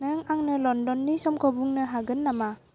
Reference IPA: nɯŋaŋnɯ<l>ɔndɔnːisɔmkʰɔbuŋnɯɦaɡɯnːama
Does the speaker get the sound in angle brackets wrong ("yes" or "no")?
no